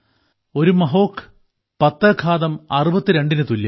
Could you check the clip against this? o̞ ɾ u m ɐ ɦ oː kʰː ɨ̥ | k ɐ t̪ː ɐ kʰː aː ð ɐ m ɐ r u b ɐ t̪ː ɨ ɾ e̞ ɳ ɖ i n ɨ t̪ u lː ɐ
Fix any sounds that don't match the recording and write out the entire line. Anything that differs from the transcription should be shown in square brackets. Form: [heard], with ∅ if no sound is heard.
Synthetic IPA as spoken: o̞ ɾ u m ɐ ɦ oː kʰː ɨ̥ | [p] ɐ t̪ː ɐ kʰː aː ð ɐ m ɐ r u b ɐ t̪ː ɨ ɾ e̞ ɳ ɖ i n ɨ t̪ u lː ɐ